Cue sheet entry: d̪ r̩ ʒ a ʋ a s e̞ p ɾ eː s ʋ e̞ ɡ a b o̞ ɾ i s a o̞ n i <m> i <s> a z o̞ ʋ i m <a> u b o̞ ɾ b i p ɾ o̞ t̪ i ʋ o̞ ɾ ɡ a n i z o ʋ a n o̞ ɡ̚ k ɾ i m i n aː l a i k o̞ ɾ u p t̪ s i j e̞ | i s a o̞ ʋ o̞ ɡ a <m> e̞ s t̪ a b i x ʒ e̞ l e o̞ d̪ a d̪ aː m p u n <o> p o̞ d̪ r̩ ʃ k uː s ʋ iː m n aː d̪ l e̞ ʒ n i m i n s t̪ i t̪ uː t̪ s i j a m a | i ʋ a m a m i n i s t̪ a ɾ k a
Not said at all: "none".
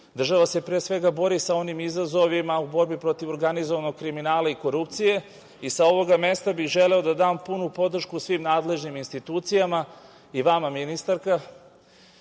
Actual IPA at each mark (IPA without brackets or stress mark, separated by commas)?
m, z, a, m, u